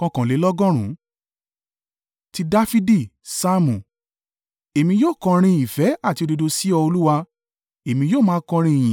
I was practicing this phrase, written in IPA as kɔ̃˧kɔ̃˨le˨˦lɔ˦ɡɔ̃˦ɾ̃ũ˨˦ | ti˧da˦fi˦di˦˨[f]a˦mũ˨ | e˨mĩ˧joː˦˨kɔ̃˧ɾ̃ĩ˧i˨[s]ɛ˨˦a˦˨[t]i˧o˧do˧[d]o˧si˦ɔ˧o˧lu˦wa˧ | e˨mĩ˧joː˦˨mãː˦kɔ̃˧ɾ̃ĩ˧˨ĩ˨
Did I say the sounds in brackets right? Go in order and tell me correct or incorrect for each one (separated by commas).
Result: incorrect, incorrect, correct, correct